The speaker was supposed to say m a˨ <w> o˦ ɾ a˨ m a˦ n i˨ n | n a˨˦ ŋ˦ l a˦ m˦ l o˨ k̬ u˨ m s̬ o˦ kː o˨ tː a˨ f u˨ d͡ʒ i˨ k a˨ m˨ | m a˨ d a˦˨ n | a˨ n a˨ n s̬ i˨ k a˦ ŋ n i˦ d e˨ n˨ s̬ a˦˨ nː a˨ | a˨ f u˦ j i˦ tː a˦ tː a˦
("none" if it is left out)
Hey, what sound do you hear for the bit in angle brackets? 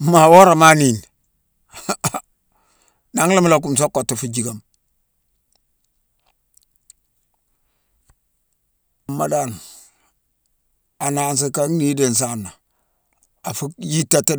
w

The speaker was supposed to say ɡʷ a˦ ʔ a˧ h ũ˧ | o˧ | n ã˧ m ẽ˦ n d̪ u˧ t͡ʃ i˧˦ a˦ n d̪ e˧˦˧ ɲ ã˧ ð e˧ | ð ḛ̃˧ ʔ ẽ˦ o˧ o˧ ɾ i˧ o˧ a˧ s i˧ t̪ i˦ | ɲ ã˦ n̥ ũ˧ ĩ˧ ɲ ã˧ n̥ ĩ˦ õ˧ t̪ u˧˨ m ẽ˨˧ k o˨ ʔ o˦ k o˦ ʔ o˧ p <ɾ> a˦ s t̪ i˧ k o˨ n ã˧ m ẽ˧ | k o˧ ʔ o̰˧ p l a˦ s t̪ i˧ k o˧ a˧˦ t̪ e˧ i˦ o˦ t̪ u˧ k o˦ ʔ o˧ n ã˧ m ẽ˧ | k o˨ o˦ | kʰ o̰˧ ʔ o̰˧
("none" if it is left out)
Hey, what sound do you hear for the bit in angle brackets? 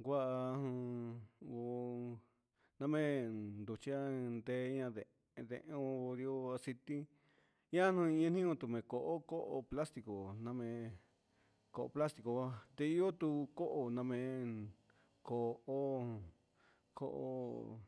l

